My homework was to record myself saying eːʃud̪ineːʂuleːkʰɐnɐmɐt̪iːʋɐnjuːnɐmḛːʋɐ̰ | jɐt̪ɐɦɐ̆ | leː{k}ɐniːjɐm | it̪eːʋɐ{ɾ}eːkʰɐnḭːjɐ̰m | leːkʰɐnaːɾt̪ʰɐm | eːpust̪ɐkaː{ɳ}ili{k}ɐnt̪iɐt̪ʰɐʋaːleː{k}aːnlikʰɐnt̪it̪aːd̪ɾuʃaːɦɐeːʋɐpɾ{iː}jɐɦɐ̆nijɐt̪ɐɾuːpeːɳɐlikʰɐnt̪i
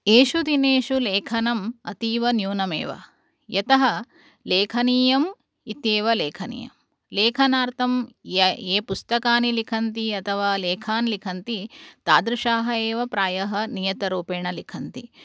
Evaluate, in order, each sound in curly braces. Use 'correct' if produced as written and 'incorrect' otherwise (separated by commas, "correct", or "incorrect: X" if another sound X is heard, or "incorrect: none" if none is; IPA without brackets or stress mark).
incorrect: kʰ, incorrect: l, incorrect: n, incorrect: kʰ, incorrect: kʰ, incorrect: aː